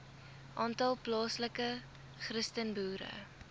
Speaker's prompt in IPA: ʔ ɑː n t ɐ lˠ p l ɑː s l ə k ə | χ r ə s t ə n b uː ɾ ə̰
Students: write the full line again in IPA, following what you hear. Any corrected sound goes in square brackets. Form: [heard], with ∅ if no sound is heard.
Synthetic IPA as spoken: ʔ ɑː n t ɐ lˠ p l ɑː s l ə k ə | χ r ə s t ə n b uː ɾ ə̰